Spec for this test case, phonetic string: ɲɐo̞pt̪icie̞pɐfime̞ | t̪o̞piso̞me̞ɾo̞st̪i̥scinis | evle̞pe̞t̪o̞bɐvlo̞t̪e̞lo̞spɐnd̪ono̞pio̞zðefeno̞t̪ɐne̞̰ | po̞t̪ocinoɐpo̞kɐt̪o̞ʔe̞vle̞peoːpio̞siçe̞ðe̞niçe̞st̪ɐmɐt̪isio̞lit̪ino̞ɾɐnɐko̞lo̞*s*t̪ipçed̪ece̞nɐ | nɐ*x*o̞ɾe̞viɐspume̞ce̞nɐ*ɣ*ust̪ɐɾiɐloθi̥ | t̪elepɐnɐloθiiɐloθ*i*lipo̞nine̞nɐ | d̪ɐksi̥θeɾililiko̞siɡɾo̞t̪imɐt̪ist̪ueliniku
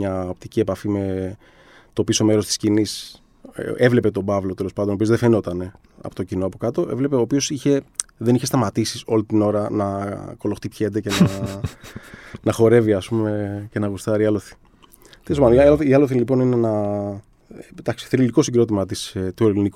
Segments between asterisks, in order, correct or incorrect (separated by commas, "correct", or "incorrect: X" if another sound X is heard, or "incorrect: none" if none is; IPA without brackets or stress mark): incorrect: x, correct, correct, correct